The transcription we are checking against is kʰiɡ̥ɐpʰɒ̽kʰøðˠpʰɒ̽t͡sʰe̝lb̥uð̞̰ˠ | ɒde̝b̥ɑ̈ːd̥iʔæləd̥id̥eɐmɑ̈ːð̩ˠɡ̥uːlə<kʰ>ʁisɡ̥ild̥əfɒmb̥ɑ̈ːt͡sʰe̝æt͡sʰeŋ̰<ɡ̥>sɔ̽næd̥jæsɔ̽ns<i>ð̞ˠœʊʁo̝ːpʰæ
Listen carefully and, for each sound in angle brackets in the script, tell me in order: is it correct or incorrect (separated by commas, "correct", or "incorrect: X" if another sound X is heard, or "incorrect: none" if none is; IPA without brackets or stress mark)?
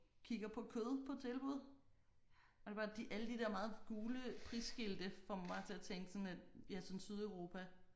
incorrect: pʰ, correct, incorrect: y